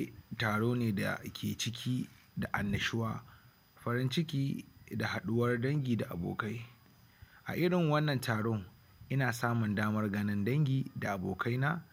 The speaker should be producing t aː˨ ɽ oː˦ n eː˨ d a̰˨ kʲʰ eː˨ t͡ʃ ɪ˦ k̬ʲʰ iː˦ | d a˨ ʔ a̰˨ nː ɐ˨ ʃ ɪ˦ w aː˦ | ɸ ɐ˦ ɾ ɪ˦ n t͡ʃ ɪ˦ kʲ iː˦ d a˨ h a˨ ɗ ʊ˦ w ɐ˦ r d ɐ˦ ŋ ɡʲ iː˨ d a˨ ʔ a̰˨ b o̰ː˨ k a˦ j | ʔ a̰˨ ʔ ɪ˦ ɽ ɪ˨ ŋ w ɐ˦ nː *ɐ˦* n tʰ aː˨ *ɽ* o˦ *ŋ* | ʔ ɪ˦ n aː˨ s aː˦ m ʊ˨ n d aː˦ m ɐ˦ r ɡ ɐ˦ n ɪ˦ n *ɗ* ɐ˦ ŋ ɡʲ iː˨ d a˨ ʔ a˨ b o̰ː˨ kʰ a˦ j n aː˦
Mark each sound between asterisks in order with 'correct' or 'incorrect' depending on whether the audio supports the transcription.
incorrect: ɐ˨, correct, correct, incorrect: d

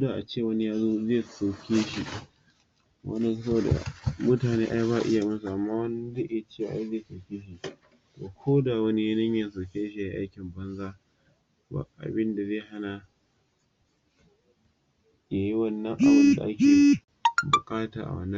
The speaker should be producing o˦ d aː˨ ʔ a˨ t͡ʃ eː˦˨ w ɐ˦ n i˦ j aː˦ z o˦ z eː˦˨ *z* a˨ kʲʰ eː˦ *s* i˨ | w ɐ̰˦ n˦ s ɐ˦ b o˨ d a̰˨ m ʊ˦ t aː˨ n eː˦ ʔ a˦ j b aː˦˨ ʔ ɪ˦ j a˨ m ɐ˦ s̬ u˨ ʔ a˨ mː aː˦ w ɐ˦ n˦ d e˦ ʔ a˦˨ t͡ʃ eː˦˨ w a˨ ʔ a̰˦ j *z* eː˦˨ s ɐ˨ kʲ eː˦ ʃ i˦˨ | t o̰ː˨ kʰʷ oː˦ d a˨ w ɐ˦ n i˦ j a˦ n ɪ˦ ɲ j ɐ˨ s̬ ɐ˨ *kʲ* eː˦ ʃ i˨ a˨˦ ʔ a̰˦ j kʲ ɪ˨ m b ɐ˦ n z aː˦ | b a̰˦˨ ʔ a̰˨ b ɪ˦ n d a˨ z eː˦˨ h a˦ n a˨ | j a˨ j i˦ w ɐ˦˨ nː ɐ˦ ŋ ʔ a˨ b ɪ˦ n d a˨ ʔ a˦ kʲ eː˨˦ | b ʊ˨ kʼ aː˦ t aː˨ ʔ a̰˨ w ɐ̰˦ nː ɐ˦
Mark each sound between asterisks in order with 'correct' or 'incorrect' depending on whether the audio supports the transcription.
incorrect: s, incorrect: ʃ, correct, correct

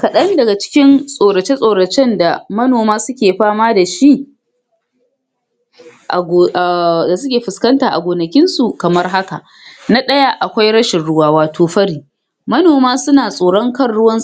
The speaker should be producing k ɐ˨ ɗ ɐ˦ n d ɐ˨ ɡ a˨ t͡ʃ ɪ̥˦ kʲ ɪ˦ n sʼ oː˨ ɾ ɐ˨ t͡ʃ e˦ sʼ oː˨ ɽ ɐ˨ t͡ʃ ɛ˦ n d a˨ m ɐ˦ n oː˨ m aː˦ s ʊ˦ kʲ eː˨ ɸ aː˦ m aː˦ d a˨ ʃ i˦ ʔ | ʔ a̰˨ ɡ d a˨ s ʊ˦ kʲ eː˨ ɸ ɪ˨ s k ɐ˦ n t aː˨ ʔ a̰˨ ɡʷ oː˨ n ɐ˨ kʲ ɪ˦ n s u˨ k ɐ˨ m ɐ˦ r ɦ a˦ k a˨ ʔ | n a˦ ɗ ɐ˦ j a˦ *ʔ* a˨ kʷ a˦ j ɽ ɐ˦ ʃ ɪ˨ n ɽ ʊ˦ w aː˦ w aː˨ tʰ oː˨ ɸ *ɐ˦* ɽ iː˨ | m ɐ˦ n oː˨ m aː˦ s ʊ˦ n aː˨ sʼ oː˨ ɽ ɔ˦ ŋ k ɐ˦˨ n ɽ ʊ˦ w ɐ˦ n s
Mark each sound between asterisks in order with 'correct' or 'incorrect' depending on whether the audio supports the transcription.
correct, correct

